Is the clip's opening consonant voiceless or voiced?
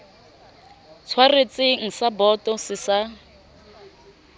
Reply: voiceless